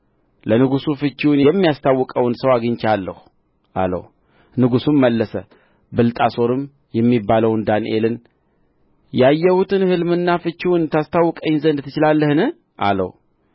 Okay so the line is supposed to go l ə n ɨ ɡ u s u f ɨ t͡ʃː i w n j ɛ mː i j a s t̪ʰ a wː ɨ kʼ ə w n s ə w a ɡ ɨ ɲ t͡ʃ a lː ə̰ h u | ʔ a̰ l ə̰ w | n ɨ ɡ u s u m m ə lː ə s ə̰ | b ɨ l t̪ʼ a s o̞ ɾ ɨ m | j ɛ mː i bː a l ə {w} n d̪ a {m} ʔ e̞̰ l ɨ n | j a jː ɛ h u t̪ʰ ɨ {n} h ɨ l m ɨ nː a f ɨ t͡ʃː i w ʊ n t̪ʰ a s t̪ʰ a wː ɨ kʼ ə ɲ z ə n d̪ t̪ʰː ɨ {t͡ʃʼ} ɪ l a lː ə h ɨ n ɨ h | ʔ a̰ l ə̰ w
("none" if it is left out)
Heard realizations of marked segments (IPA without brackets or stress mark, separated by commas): w, n, n, t͡ʃ